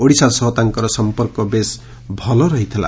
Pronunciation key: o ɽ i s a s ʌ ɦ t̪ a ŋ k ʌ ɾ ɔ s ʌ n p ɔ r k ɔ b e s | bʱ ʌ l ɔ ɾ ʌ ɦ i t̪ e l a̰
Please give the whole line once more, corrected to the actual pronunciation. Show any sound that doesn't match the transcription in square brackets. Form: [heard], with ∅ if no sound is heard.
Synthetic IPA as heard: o ɽ i s a s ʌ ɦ t̪ a ŋ k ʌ ɾ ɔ s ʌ [m] p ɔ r k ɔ b e s | bʱ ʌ l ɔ ɾ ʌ ɦ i [t̪ʰ] e l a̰

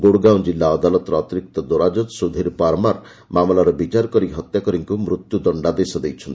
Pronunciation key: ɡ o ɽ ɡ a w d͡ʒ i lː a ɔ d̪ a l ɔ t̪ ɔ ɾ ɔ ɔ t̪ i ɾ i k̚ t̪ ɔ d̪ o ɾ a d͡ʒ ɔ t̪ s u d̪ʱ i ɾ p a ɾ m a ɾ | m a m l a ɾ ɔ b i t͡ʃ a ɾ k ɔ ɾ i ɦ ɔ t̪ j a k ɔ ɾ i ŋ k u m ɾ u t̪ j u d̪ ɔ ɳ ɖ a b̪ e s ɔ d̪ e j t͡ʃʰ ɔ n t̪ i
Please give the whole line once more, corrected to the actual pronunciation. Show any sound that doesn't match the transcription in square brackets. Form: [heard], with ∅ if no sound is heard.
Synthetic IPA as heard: ɡ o ɽ ɡ a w d͡ʒ i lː a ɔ d̪ a l ɔ t̪ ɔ ɾ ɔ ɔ t̪ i ɾ i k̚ t̪ ɔ d̪ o ɾ a d͡ʒ ɔ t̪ s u d̪ʱ i ɾ p a ɾ m a ɾ | m a m l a ɾ ɔ b i t͡ʃ a ɾ k ɔ ɾ i ɦ ɔ t̪ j a k ɔ ɾ i ŋ k u m ɾ u t̪ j u d̪ ɔ ɳ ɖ a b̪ e s ɔ d̪ e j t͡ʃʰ ɔ n t̪ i

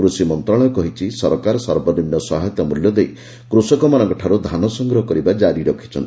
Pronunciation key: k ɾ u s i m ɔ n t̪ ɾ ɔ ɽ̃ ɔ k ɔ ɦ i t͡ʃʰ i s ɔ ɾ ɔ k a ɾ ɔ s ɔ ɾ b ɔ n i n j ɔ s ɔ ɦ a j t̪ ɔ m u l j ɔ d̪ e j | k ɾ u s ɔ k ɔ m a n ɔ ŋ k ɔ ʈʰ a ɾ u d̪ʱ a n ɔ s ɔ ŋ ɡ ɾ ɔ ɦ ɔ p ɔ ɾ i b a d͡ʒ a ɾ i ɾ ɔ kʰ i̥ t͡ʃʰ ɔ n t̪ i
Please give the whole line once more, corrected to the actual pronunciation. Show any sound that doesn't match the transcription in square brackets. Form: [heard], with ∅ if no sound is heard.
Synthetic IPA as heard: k ɾ u s i m ɔ n t̪ ɾ ɔ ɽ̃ ɔ k ɔ ɦ i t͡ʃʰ i s ɔ ɾ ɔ k a ɾ ɔ s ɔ ɾ b ɔ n i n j ɔ s ɔ ɦ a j t̪ ɔ m u l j ɔ d̪ e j | k ɾ u s ɔ k ɔ m a n ɔ ŋ k ɔ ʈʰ a ɾ u d̪ʱ a n ɔ s ɔ ŋ ɡ ɾ ɔ ɦ ɔ [k] ɔ ɾ i b a d͡ʒ a ɾ i ɾ ɔ kʰ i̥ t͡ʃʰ ɔ n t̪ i

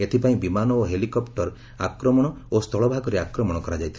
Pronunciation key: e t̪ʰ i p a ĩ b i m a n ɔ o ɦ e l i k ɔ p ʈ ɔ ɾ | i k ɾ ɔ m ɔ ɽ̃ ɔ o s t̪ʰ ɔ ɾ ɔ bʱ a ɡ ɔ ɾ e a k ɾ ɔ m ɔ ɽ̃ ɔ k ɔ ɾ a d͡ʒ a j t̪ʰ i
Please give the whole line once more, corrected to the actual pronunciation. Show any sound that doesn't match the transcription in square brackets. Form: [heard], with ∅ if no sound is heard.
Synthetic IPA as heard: e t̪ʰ i p a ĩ b i m a n ɔ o ɦ e l i k ɔ p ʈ ɔ ɾ | [a] k ɾ ɔ m ɔ ɽ̃ ɔ o s t̪ʰ ɔ [ɭ] ɔ bʱ a ɡ ɔ ɾ e a k ɾ ɔ m ɔ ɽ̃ ɔ k ɔ ɾ a d͡ʒ a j t̪ʰ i

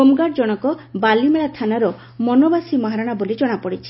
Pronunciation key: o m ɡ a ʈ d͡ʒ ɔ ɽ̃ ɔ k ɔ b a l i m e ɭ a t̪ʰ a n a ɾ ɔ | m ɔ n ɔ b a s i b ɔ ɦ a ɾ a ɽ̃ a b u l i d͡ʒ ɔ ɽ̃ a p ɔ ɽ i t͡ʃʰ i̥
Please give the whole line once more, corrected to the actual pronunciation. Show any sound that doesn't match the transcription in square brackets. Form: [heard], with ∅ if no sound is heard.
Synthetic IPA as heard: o m ɡ a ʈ d͡ʒ ɔ ɽ̃ ɔ k ɔ b a l i m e ɭ a t̪ʰ a n a ɾ ɔ | m ɔ n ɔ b a s i [m] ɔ ɦ a ɾ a ɽ̃ a b [o] l i d͡ʒ ɔ ɽ̃ a p ɔ ɽ i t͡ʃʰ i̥

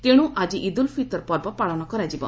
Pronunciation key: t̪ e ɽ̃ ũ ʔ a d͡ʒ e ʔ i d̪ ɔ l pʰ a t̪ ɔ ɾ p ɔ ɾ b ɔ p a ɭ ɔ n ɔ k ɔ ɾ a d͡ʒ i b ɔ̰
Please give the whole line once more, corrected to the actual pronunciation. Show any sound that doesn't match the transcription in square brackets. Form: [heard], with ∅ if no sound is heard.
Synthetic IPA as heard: t̪ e ɽ̃ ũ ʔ a d͡ʒ [i] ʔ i d̪ [u] l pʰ [i] t̪ ɔ ɾ p ɔ ɾ b ɔ p a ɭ ɔ n ɔ k ɔ ɾ a d͡ʒ i b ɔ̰

